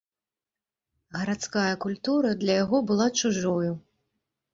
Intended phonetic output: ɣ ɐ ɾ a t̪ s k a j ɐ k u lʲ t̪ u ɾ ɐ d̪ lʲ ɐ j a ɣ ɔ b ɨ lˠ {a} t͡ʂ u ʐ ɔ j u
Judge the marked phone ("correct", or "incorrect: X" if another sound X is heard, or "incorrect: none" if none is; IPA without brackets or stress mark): correct